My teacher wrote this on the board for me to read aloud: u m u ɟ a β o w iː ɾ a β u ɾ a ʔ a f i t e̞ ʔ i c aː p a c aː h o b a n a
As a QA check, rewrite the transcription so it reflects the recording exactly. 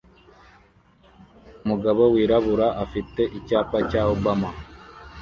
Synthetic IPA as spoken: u m u ɡ a β o w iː ɾ a β u ɾ a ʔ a f i t e̞ ʔ i c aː p a c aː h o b a m a